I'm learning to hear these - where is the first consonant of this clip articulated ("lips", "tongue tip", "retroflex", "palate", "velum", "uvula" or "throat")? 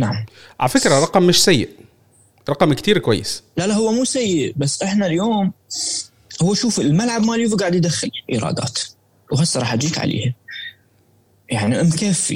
tongue tip